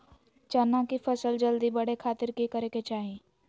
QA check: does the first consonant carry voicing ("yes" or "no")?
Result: no